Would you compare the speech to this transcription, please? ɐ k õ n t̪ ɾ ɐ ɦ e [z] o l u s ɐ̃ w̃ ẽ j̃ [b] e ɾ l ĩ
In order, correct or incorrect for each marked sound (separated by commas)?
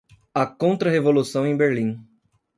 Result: incorrect, correct